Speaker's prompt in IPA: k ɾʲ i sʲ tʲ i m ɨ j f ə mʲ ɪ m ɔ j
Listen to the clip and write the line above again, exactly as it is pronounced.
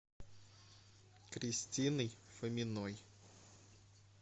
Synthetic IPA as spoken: k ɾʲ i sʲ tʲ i n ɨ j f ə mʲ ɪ n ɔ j